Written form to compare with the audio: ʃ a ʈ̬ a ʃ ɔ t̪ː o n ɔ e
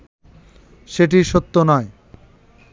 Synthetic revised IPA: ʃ e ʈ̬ i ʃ o t̪ː o n ɔ e